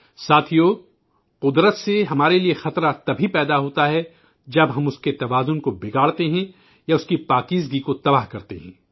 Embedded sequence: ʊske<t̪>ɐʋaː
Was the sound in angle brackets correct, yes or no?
yes